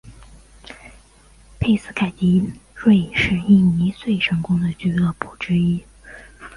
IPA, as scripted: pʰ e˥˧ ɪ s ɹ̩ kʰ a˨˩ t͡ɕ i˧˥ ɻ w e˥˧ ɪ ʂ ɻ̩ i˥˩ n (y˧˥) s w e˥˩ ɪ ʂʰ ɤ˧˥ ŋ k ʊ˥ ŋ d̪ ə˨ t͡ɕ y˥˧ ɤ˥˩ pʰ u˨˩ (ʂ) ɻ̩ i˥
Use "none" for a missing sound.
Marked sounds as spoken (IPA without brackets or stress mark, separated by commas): i˧˥, ʈ͡ʂ